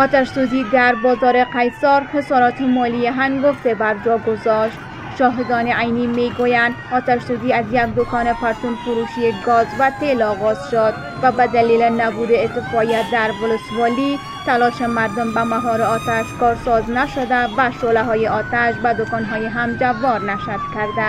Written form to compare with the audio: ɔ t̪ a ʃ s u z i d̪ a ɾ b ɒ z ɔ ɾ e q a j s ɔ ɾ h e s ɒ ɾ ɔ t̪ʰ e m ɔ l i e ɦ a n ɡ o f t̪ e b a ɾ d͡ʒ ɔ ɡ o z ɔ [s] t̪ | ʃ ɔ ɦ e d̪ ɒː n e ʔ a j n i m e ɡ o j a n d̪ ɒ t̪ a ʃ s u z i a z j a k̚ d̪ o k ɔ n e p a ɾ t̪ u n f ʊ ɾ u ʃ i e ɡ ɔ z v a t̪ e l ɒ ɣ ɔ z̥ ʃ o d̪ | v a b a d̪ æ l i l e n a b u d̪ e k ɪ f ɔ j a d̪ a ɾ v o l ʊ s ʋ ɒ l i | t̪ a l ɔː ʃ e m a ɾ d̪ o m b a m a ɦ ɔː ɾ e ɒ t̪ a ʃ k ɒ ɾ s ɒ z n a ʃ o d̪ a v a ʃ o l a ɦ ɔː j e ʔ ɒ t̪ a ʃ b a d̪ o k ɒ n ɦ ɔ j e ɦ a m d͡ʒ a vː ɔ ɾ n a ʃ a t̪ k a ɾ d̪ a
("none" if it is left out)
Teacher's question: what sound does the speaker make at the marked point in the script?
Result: ʃ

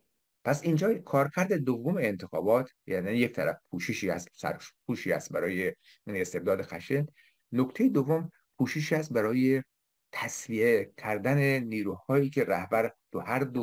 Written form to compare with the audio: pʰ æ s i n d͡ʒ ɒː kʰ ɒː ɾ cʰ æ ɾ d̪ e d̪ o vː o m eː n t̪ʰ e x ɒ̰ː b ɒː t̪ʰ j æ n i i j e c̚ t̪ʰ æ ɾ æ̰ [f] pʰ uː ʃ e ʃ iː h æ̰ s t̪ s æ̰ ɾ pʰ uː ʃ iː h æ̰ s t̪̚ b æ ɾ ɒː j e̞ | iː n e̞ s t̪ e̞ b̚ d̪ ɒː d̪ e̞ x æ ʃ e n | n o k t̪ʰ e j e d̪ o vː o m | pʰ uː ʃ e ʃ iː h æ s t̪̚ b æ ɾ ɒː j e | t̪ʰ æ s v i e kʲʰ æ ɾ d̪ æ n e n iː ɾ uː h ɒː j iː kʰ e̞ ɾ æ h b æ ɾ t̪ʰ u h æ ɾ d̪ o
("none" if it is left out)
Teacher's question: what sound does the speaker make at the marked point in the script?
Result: f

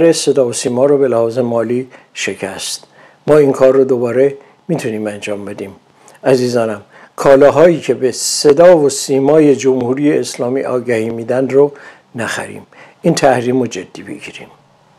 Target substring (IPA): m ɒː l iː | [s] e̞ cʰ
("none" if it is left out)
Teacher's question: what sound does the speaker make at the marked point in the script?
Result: ʃ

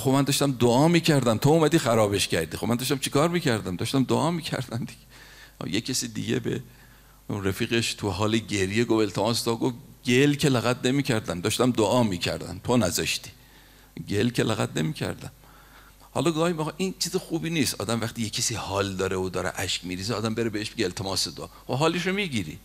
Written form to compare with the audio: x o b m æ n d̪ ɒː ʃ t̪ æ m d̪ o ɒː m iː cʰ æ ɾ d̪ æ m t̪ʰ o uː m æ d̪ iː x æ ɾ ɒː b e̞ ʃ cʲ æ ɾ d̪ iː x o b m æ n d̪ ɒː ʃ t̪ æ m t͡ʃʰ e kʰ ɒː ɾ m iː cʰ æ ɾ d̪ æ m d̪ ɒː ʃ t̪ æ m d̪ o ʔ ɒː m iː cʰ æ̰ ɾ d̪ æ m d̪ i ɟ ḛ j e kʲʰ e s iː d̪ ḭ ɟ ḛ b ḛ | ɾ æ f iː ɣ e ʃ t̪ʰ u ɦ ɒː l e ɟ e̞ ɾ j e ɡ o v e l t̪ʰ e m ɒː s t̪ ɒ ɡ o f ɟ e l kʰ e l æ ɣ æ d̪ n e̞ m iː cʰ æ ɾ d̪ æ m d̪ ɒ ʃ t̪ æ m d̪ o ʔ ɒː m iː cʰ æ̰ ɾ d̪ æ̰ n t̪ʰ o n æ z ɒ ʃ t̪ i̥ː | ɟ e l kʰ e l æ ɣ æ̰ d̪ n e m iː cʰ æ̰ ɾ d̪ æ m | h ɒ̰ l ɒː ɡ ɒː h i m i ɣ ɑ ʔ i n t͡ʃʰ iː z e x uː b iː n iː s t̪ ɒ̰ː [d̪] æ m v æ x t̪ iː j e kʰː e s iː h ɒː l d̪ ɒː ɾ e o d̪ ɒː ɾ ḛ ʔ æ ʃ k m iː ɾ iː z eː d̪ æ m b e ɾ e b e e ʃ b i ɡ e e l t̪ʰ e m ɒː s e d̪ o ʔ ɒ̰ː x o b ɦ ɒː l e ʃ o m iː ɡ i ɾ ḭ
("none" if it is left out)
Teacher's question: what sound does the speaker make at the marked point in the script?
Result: d̪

